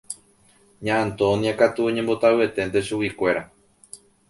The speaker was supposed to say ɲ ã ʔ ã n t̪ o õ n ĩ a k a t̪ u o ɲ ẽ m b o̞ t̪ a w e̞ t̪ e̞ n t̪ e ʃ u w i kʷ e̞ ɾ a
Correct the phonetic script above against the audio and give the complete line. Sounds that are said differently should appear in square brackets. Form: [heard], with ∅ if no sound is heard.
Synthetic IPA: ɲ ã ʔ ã n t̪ o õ n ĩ a k a t̪ u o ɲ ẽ m b o̞ t̪ a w e̞ t̪ e̞ n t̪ e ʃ u w i kʷ e̞ ɾ a